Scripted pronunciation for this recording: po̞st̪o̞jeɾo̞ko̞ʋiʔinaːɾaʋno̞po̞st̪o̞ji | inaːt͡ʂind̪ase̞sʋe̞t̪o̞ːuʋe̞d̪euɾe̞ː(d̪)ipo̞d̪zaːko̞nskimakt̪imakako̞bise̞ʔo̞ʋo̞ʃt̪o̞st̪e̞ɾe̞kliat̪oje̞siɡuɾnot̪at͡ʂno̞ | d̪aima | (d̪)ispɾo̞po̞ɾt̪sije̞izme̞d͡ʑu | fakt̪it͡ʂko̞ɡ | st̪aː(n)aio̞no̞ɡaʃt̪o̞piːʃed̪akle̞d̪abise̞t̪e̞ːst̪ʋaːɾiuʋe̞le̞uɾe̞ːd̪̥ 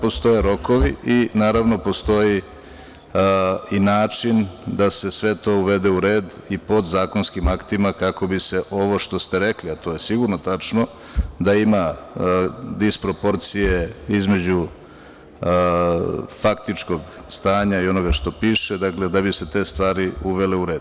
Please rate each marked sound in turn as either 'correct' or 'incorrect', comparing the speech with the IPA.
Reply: correct, correct, incorrect: ɲ

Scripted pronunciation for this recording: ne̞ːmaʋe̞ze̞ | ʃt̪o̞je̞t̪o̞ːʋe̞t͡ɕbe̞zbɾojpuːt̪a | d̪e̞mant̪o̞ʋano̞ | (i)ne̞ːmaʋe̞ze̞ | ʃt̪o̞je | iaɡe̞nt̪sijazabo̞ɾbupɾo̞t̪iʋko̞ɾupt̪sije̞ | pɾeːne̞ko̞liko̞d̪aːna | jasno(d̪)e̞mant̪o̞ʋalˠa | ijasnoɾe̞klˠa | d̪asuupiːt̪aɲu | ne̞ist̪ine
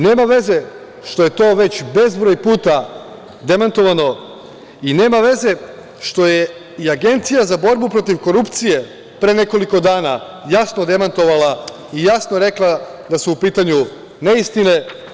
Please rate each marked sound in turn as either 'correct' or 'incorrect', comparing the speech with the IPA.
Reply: correct, correct

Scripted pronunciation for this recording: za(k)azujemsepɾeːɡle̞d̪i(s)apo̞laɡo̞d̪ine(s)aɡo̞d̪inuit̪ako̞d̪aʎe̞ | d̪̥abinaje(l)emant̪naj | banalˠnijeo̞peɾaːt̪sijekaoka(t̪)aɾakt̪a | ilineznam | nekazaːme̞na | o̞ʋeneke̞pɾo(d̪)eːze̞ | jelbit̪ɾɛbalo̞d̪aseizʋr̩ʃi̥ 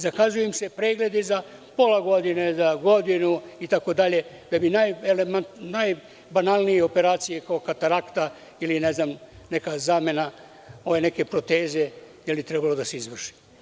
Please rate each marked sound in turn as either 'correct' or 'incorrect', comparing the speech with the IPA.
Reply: correct, incorrect: z, incorrect: z, correct, correct, incorrect: t̪

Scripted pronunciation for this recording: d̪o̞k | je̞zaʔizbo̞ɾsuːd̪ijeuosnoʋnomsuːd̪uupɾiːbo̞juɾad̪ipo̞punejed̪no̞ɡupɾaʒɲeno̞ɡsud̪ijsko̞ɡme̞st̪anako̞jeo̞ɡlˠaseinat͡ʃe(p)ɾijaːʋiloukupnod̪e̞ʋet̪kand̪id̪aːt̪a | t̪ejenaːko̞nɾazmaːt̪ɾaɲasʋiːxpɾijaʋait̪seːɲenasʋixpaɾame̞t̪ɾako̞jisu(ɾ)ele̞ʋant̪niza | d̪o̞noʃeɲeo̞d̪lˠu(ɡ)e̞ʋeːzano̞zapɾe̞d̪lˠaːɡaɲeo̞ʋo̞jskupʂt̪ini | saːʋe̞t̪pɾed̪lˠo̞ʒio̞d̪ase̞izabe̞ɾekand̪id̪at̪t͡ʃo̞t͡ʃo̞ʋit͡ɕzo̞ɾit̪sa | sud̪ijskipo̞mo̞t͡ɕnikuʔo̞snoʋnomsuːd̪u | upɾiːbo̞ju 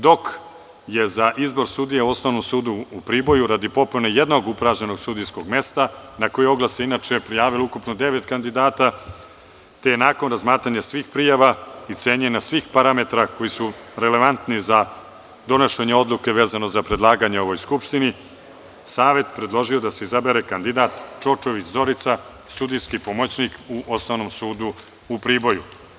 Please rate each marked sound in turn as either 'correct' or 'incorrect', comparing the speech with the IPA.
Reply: correct, correct, incorrect: k

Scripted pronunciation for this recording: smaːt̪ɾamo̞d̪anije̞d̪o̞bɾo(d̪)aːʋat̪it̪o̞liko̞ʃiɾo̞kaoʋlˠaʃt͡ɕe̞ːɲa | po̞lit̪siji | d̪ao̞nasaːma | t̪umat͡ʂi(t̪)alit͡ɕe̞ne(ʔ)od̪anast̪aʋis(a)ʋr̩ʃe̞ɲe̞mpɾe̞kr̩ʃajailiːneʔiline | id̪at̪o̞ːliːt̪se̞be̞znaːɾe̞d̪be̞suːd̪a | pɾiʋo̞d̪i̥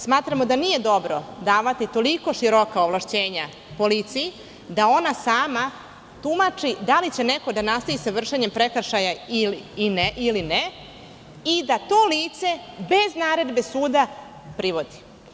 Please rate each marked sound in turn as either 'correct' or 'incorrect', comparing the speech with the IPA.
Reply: correct, incorrect: d̪, incorrect: k, correct

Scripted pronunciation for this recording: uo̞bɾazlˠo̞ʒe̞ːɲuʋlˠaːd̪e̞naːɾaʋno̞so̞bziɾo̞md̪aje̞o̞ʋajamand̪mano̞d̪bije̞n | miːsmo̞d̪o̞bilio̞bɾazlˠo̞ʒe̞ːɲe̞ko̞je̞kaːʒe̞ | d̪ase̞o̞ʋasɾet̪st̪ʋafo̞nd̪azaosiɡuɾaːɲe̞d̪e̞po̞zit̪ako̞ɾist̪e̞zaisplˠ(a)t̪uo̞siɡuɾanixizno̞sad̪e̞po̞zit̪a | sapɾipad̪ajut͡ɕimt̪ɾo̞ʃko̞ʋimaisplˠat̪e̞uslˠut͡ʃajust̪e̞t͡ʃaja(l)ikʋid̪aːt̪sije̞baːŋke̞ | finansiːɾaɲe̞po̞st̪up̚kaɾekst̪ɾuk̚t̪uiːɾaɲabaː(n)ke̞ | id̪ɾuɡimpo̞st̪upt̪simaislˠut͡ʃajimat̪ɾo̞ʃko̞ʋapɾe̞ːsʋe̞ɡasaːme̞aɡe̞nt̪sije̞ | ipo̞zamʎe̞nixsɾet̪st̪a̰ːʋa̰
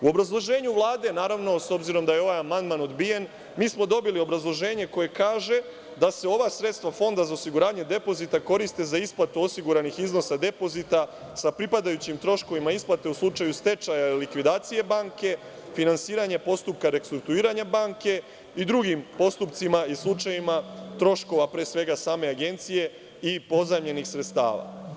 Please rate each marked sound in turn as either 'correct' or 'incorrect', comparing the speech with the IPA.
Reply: correct, correct, incorrect: ŋ

